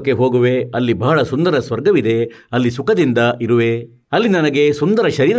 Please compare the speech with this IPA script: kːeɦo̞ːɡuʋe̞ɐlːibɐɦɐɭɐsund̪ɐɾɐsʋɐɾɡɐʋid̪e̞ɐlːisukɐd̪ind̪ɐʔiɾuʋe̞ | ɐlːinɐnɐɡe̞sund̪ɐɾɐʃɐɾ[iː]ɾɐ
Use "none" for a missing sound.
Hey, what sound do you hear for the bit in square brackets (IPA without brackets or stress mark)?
iː